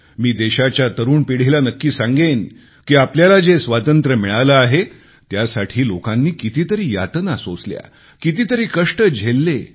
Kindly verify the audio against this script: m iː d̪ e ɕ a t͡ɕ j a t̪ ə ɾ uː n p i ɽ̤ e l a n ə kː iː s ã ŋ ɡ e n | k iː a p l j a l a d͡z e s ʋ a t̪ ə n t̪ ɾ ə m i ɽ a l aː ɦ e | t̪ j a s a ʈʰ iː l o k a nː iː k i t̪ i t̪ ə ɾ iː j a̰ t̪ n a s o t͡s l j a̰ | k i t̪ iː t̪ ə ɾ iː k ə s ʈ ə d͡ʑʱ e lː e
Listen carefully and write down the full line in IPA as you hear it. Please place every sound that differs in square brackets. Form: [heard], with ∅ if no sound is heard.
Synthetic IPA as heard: m iː d̪ e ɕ a t͡ɕ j a t̪ ə ɾ uː n p i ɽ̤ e l a n ə kː iː s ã ŋ ɡ e n | k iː a p l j a l a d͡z e s ʋ a t̪ ə n t̪ ɾ ə m i [ɭ] a l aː ɦ e | t̪ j a s a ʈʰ iː l o k a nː iː k i t̪ i t̪ ə ɾ iː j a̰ t̪ n a s o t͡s l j a̰ | k i t̪ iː t̪ ə ɾ iː k ə [ʂ] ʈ ə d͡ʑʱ e lː e